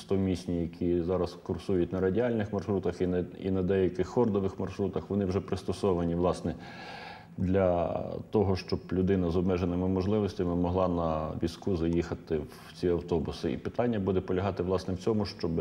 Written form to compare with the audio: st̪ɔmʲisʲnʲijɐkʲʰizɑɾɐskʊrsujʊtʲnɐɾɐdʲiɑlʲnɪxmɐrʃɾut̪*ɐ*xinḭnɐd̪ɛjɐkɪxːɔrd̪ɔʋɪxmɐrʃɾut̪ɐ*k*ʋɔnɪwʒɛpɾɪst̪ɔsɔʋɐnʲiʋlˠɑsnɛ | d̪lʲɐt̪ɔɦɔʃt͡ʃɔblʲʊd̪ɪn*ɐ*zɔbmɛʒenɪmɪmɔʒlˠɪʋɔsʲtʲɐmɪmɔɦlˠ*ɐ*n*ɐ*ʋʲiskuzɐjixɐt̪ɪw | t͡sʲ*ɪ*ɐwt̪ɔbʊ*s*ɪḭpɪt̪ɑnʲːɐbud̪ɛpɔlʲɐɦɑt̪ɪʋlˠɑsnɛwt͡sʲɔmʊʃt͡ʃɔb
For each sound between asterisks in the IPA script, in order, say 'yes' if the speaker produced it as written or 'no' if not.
yes, no, yes, no, yes, no, yes

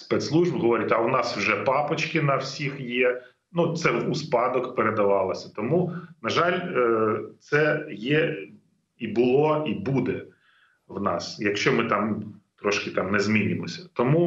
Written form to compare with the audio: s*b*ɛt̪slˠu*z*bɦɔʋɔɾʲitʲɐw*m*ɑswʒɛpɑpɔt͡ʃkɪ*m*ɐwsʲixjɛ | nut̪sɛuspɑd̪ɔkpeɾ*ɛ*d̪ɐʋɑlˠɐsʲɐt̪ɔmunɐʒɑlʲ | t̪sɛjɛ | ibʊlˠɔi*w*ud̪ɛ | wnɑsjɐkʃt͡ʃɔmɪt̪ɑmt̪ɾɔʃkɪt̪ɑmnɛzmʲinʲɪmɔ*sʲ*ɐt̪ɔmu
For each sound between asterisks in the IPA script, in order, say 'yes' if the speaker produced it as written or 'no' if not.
no, no, no, no, no, no, yes

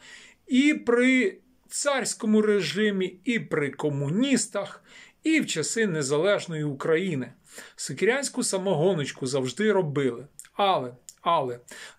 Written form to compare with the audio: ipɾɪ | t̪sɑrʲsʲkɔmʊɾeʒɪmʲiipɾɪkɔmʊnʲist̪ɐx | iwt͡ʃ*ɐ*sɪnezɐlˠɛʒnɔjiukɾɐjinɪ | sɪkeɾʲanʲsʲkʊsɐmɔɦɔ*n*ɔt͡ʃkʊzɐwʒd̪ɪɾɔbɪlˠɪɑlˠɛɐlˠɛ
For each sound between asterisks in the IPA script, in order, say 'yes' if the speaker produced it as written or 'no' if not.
yes, yes

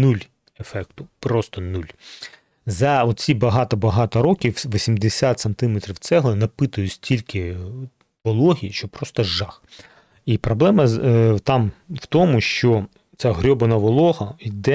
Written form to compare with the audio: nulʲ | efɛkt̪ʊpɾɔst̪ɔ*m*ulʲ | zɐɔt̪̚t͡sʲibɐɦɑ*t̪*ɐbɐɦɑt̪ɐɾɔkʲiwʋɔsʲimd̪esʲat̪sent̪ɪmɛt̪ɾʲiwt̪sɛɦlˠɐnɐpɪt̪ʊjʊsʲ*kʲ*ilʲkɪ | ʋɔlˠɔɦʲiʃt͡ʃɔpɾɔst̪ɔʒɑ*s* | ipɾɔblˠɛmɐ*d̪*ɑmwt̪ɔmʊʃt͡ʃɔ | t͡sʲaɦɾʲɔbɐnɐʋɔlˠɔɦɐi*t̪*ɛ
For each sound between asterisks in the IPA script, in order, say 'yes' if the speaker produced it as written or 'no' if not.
no, yes, no, no, no, no

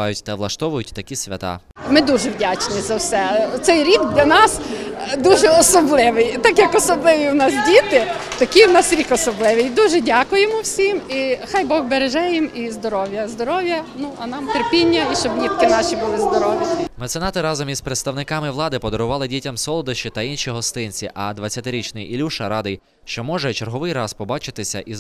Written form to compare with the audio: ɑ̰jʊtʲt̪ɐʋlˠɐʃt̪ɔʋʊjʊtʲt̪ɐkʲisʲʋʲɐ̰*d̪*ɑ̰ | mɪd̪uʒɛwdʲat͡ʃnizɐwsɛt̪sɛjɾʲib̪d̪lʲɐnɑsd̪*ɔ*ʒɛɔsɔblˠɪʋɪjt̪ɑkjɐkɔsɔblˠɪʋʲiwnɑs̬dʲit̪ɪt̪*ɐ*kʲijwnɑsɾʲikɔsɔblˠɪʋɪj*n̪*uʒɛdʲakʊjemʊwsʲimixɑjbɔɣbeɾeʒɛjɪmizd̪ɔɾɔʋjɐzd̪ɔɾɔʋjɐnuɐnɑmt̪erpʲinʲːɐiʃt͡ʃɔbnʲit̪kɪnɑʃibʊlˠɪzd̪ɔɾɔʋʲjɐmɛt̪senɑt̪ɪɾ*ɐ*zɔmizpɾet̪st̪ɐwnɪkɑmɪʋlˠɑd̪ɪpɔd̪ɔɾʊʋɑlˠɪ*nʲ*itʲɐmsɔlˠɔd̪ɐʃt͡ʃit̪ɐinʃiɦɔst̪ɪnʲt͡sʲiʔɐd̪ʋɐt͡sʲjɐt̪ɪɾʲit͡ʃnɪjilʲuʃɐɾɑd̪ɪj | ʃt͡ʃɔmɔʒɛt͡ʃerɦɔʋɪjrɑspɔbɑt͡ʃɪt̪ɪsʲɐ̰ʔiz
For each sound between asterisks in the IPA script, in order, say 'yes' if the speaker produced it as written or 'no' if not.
no, no, yes, no, no, no

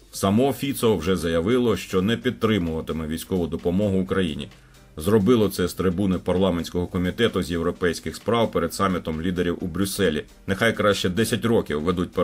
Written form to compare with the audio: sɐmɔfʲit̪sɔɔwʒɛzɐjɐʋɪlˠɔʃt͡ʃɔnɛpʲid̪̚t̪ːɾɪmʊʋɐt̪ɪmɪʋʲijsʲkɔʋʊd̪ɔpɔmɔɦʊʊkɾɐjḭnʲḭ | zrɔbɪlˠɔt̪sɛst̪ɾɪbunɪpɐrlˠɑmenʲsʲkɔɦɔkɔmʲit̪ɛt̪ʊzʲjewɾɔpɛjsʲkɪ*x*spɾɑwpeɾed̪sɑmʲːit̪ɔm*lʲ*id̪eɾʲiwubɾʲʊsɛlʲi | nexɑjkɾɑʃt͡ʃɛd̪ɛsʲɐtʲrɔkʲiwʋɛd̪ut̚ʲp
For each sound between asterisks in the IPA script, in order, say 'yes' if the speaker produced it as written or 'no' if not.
yes, yes

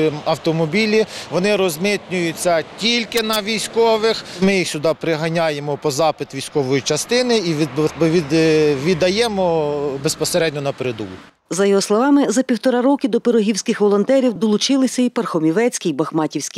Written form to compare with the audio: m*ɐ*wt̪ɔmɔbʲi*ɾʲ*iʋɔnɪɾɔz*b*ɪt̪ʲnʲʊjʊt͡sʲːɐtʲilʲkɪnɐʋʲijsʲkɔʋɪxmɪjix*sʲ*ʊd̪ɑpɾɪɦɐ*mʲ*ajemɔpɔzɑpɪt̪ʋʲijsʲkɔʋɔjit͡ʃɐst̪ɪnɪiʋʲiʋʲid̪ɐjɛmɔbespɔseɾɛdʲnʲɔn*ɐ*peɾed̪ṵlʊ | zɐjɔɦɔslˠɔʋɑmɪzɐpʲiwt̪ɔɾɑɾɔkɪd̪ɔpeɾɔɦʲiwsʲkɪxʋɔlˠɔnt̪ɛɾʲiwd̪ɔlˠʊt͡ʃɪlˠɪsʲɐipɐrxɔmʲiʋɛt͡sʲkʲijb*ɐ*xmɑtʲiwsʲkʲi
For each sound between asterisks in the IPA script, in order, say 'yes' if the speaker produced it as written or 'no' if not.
yes, no, no, yes, no, yes, yes

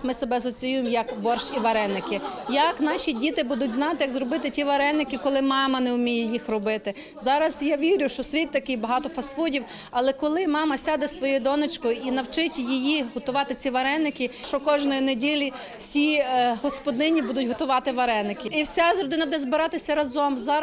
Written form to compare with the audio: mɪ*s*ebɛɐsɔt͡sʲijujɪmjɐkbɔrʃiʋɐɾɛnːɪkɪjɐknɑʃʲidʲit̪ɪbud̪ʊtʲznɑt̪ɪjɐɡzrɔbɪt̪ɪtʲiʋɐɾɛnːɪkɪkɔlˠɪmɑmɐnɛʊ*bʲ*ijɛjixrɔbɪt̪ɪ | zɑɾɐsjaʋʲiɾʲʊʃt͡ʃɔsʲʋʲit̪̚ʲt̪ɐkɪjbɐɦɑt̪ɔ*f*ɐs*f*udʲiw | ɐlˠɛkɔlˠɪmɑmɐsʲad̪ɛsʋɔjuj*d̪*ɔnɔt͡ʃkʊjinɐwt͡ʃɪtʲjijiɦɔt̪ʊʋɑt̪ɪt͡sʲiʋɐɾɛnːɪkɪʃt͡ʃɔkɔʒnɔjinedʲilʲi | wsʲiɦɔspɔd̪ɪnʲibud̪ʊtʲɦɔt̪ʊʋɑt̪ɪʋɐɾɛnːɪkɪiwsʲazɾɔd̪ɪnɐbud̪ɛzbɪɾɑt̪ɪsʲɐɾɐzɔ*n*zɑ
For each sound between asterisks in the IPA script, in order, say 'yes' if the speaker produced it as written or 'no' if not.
yes, no, yes, yes, yes, no

